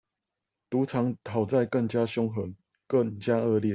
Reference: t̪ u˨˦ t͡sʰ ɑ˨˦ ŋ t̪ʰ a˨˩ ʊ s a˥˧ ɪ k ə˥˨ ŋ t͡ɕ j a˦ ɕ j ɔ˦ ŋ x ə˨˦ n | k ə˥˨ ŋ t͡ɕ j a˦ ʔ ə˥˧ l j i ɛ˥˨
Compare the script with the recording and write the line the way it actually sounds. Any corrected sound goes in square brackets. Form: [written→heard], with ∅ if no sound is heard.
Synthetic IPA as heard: t̪ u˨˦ t͡sʰ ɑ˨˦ ŋ t̪ʰ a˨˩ ʊ [s→t͡s] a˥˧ ɪ k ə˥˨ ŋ t͡ɕ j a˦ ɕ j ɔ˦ ŋ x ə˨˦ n | k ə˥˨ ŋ t͡ɕ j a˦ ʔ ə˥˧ l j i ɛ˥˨